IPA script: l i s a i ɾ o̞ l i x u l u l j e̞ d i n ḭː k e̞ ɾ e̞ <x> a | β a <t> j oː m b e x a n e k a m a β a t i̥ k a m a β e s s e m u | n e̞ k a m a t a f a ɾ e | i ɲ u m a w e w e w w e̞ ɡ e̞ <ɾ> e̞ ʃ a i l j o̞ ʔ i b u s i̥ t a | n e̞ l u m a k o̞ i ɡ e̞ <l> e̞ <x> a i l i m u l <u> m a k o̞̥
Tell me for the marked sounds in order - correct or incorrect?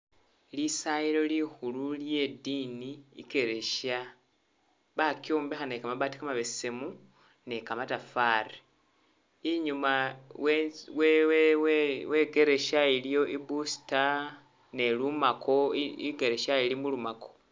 incorrect: ʃ, incorrect: k, correct, incorrect: ɾ, incorrect: ʃ, correct

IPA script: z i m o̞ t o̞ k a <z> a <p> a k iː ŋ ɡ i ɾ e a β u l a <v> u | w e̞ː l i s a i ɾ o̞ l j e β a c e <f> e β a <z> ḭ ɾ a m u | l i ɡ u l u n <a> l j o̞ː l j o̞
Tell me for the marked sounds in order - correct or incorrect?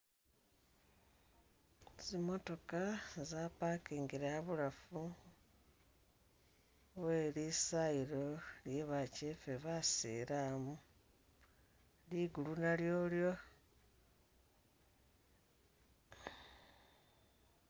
correct, correct, incorrect: f, correct, incorrect: s, correct

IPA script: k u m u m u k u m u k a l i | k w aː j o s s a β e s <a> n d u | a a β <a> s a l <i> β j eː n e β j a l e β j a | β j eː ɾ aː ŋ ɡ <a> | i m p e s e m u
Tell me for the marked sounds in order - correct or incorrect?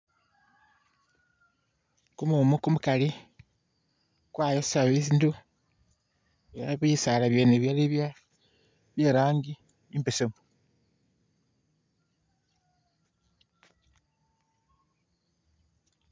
incorrect: i, incorrect: i, incorrect: a, incorrect: i

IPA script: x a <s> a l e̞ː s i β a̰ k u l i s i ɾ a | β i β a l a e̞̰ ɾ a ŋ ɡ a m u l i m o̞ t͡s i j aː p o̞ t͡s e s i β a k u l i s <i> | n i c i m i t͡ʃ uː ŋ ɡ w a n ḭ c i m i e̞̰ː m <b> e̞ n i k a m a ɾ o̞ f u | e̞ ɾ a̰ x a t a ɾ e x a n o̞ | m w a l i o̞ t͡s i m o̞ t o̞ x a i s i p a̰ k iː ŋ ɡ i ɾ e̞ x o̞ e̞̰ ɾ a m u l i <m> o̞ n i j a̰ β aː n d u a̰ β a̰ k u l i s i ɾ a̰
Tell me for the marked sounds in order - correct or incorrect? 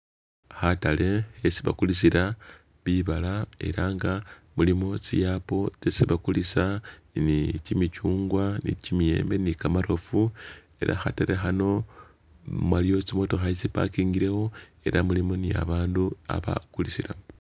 incorrect: t, incorrect: a, correct, correct

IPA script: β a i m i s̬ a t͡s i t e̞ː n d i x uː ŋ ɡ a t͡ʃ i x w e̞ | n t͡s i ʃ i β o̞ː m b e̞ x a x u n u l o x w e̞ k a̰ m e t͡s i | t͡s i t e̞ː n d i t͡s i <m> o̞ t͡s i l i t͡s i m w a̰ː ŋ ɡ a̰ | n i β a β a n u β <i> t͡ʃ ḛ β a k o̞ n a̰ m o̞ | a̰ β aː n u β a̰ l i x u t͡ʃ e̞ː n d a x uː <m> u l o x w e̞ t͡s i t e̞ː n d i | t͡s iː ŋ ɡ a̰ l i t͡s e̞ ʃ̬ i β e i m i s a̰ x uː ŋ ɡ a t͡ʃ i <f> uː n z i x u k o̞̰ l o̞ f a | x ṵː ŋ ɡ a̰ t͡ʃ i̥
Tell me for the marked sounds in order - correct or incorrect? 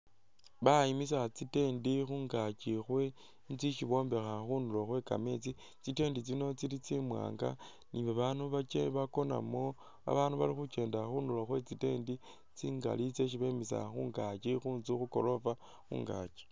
incorrect: n, incorrect: a, incorrect: n, incorrect: x

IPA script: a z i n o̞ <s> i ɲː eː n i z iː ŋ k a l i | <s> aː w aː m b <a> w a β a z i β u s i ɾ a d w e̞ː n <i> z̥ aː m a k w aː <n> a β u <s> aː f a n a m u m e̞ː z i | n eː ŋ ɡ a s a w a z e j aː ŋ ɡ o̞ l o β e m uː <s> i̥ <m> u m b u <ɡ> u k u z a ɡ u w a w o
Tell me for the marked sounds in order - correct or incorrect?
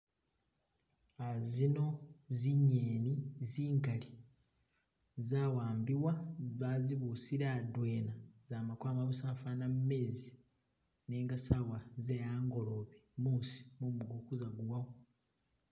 incorrect: z, incorrect: z, incorrect: i, incorrect: a, incorrect: m, correct, correct, correct, correct

